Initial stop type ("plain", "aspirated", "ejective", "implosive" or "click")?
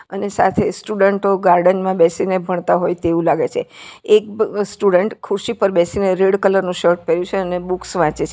aspirated